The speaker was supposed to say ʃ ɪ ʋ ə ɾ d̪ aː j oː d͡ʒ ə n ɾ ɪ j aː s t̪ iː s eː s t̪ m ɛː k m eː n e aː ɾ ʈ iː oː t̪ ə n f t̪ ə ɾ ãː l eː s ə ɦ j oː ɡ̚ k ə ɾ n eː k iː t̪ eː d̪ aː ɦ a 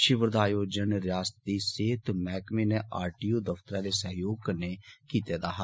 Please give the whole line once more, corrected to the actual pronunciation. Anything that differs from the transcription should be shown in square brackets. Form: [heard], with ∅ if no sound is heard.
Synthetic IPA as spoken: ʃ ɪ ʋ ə ɾ d̪ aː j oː d͡ʒ ə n ɾ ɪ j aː s t̪ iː s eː [∅] t̪ m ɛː k m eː n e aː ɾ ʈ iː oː [d̪] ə [∅] f t̪ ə ɾ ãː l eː s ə ɦ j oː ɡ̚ k ə ɾ n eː k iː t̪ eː d̪ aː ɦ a